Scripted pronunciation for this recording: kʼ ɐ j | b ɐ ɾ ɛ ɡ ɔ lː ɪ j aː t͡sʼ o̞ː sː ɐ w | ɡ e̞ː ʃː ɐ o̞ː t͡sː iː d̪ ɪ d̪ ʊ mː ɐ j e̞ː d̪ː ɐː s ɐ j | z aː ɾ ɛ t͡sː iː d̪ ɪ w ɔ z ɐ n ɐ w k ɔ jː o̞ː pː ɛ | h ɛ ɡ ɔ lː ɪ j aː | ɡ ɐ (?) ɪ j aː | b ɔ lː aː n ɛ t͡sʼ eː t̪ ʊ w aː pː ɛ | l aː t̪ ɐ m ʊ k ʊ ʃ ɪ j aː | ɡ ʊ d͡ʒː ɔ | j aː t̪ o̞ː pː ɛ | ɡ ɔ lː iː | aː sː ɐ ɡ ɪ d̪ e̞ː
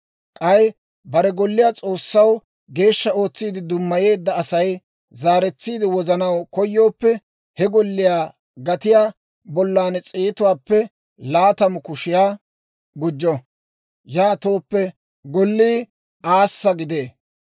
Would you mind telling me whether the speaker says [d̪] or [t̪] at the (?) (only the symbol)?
t̪